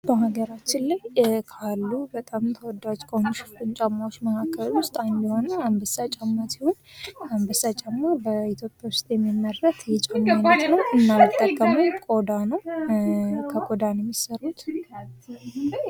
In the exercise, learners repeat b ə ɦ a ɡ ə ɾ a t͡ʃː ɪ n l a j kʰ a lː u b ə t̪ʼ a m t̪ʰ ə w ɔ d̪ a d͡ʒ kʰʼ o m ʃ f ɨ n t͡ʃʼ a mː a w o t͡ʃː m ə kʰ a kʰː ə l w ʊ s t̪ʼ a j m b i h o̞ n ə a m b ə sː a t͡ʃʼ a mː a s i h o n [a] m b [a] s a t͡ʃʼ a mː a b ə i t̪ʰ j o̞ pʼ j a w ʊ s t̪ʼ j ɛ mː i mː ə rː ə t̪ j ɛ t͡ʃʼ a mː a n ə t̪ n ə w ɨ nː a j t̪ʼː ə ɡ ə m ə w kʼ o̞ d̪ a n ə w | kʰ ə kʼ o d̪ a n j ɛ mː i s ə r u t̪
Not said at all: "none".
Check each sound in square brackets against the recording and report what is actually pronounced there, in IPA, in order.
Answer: a, ə

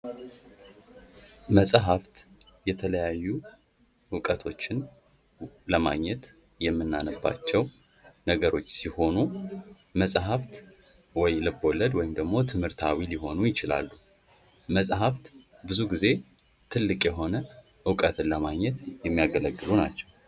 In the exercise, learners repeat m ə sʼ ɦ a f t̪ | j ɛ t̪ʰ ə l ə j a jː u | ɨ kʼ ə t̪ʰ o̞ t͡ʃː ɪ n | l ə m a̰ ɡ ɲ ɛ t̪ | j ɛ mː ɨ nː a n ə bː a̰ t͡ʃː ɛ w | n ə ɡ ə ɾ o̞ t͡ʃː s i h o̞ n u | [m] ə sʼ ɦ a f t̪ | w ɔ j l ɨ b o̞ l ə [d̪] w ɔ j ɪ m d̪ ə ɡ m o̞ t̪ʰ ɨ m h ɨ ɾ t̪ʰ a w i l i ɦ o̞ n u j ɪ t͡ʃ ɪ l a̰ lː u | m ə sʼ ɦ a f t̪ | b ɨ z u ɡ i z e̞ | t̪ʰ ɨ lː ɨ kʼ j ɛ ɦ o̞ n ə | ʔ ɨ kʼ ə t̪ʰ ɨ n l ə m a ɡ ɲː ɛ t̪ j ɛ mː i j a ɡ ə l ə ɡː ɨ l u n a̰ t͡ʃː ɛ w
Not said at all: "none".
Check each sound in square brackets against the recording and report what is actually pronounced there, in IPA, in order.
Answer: m, d̪

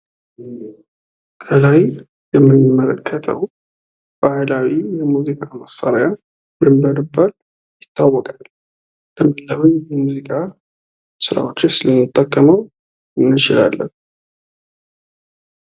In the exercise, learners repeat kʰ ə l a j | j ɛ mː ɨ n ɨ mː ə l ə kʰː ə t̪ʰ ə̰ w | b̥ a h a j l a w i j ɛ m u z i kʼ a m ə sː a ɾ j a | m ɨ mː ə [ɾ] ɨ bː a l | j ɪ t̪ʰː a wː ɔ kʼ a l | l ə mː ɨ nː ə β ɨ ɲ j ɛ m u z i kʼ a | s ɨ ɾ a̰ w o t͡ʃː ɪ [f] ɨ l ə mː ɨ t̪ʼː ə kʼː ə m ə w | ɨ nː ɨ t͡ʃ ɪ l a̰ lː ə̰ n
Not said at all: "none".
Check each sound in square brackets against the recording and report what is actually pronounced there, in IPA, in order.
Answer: ɾ, s

